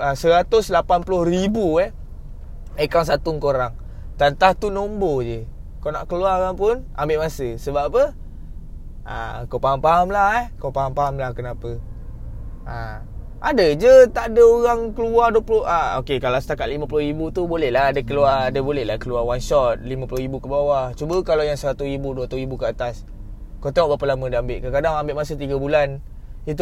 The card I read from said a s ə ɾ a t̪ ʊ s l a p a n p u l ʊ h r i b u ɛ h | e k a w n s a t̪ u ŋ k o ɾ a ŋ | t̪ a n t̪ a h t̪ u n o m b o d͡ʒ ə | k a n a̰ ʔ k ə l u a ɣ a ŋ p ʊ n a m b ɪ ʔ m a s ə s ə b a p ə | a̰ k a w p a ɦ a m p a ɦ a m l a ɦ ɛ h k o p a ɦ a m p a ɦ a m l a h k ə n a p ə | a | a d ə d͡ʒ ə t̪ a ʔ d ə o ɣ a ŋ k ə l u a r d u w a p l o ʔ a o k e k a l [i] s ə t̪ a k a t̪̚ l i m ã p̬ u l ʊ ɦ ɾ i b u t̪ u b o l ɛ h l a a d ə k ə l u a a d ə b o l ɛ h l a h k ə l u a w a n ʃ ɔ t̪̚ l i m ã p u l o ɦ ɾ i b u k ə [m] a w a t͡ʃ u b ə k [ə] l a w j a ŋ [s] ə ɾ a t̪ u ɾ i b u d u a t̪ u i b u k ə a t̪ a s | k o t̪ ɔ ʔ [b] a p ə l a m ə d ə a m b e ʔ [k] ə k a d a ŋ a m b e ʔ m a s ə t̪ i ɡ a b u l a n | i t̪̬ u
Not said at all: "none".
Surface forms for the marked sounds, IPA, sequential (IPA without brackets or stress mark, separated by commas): a, b, a, s, b, k